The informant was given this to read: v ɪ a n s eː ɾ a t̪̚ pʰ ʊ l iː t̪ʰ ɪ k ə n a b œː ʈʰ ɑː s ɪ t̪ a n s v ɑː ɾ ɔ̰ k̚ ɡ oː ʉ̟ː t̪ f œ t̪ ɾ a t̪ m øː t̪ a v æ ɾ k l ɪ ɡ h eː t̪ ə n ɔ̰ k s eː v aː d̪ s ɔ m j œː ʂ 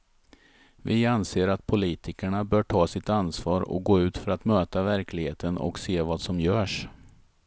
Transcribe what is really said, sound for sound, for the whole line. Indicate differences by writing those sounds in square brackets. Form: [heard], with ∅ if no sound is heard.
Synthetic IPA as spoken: v ɪ a n s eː ɾ a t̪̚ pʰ ʊ l iː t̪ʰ ɪ k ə [ɳ] a b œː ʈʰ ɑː s ɪ t̪ a n s v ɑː ɾ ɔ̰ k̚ ɡ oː ʉ̟ː t̪ f œ [∅] ɾ a t̪ m øː t̪ a v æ ɾ k l ɪ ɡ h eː t̪ ə n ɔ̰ k s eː v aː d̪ s ɔ m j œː ʂ

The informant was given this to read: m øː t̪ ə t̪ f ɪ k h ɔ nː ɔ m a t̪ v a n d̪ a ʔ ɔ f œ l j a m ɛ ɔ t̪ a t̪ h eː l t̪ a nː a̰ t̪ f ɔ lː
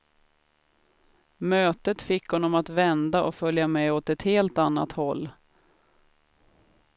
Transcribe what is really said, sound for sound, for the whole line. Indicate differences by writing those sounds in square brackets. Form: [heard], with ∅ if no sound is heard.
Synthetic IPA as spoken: m øː t̪ ə t̪ f ɪ k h ɔ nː ɔ m a t̪ v [ɛ] n d̪ a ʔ ɔ f œ l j a m ɛ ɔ t̪ [ɛ] t̪ h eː l t̪ a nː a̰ t̪ [h] ɔ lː

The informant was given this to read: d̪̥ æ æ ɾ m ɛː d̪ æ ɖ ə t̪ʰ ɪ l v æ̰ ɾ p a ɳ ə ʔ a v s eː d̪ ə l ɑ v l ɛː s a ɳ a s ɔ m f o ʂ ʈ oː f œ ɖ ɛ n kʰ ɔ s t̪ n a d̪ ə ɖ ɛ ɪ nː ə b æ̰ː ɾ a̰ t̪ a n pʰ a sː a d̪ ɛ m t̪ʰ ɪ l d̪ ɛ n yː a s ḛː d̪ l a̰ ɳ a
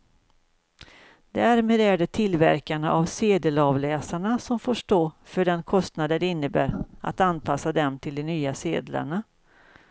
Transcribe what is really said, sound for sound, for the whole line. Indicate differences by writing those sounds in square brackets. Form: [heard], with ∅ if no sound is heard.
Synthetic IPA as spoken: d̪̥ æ æ ɾ m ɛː d̪ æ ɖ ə t̪ʰ ɪ l v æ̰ ɾ [k] a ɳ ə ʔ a v s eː d̪ ə l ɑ v l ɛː s a ɳ a s ɔ m f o ʂ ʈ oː f œ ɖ ɛ n kʰ ɔ s t̪ n a d̪ ə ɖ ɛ ɪ nː ə b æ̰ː ɾ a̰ t̪ a n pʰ a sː a d̪ ɛ m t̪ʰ ɪ l d̪ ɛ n yː a s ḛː d̪ l a̰ ɳ a

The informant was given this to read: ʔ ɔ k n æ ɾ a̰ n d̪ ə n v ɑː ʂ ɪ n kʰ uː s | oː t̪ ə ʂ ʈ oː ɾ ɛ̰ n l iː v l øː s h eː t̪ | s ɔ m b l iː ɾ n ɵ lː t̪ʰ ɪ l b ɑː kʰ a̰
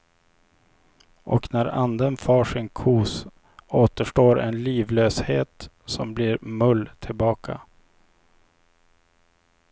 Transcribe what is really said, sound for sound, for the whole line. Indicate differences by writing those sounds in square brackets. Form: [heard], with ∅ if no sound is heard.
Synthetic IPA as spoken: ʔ ɔ k n æ ɾ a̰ n d̪ ə n [f] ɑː ʂ ɪ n kʰ uː s | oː t̪ ə ʂ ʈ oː ɾ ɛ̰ n l iː v l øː s h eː t̪ | s ɔ m b l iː ɾ [m] ɵ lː t̪ʰ ɪ l b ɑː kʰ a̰

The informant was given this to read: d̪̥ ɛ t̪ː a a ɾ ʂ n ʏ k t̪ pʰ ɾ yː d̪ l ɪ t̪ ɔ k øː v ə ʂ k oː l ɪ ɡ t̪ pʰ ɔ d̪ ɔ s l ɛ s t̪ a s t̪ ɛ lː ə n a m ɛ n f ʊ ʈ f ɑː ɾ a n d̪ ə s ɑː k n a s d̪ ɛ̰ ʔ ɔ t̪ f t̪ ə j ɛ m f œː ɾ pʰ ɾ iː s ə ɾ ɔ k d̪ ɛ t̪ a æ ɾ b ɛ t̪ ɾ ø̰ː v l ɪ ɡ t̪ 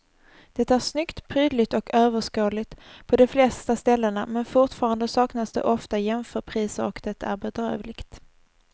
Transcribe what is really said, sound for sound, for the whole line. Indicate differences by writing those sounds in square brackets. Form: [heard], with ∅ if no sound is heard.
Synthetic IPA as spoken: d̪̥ ɛ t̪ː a [æ] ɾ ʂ n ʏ k t̪ pʰ ɾ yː d̪ l ɪ t̪ ɔ k øː v ə ʂ k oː l ɪ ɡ t̪ pʰ ɔ d̪ ɔ [f] l ɛ s t̪ a s t̪ ɛ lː ə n a m ɛ n f ʊ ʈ f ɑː ɾ a n d̪ ə s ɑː k n a s d̪ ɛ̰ ʔ ɔ [∅] f t̪ [a] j ɛ m f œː ɾ pʰ ɾ iː s ə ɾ ɔ k d̪ ɛ t̪ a æ ɾ b ɛ [d̪] ɾ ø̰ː v l ɪ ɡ t̪

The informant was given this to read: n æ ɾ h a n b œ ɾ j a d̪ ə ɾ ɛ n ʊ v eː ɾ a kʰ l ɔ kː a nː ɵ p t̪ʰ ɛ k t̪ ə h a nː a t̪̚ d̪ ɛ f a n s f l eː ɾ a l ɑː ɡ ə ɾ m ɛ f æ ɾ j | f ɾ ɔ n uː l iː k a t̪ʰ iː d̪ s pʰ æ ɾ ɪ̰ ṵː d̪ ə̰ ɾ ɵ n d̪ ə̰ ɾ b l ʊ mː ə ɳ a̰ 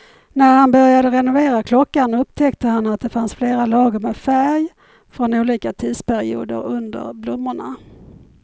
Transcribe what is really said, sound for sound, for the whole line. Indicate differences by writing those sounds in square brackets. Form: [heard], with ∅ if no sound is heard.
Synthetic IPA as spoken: n æ ɾ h a n b œ ɾ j a d̪ ə ɾ ɛ n ʊ v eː ɾ a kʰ l ɔ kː a [n] ɵ p t̪ʰ ɛ k t̪ ə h a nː a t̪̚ d̪ ɛ f a n s f l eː ɾ a l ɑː ɡ ə ɾ m ɛ f æ ɾ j | f ɾ ɔ n uː l iː k a t̪ʰ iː d̪ s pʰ æ ɾ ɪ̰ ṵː d̪ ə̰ ɾ ɵ n d̪ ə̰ ɾ b l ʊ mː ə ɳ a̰

